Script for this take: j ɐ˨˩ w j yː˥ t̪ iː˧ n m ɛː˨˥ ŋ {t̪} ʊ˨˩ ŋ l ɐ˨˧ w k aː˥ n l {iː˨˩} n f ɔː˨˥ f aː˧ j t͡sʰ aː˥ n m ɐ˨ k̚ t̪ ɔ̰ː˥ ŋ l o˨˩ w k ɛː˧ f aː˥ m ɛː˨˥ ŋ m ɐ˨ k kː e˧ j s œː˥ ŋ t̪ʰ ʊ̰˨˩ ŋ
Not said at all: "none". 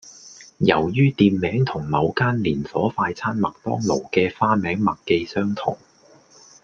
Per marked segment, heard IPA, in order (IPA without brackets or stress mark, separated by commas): t̪ʰ, iː˨˩